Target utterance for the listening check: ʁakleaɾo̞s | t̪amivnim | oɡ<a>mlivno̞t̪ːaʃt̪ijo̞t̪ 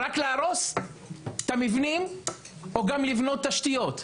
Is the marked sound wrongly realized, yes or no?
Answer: no